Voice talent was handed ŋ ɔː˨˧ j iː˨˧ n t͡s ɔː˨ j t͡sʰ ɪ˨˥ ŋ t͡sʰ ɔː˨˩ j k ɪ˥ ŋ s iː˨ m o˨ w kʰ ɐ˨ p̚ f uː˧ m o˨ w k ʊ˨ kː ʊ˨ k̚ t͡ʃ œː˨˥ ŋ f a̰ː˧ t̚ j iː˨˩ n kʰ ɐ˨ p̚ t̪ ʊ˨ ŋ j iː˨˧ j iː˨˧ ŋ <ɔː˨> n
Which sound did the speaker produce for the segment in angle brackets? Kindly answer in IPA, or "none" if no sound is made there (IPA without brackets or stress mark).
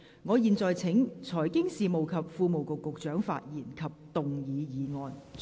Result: ɔː˨